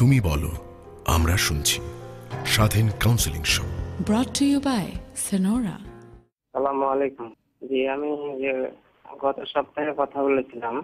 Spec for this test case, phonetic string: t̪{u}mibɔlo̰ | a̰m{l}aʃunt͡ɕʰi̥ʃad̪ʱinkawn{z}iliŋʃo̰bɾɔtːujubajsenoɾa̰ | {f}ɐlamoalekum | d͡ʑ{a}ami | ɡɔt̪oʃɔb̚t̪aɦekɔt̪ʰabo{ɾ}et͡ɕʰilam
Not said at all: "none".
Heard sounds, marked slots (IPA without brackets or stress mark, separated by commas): u, ɾ, s, s, i, l